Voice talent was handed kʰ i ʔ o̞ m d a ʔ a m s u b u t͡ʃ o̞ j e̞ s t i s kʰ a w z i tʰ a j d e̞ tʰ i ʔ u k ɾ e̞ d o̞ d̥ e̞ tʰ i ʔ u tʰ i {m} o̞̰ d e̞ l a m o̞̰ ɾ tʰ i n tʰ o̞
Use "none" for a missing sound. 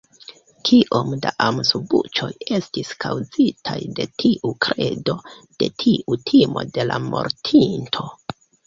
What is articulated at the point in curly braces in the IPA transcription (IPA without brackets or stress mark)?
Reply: m